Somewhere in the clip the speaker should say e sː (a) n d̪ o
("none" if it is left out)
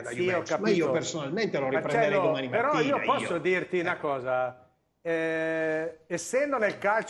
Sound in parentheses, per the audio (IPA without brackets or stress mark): ɛ